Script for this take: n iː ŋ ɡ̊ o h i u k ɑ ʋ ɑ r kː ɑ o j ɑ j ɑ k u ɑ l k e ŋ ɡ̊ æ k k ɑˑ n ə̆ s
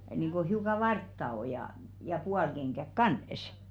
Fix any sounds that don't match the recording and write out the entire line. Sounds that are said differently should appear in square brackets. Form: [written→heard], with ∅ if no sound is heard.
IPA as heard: n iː ŋ ɡ̊ o h i u k ɑ ʋ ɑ r [kː→tː] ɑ o j ɑ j ɑ [k→p] u ɑ l k e ŋ ɡ̊ æ k k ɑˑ n ə̆ s